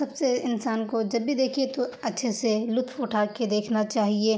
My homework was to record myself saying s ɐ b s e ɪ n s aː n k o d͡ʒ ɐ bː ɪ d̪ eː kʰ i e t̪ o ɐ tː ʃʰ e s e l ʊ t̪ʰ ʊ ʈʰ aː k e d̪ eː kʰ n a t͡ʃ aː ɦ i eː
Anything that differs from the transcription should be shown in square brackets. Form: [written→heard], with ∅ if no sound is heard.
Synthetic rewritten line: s ɐ b s e ɪ n s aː n k o d͡ʒ ɐ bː [ɪ→i] d̪ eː kʰ i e t̪ o ɐ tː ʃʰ e s e l ʊ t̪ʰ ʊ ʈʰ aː k e d̪ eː kʰ n a t͡ʃ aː ɦ i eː